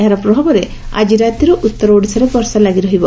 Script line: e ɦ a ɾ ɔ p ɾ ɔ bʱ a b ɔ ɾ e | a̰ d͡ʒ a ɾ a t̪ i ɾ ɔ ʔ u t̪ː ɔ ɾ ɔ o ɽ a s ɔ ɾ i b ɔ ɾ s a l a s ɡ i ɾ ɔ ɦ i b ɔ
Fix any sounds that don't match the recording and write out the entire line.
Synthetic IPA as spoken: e ɦ a ɾ ɔ p ɾ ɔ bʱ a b ɔ ɾ e | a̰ d͡ʒ i ɾ a t̪ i ɾ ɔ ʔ u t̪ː ɔ ɾ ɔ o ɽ i s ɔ ɾ e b ɔ ɾ s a l a ɡ i ɾ ɔ ɦ i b ɔ